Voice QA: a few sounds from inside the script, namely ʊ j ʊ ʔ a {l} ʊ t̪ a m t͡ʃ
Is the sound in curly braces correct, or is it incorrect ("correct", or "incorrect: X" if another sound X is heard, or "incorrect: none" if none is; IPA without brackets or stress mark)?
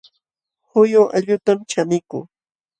incorrect: ʎ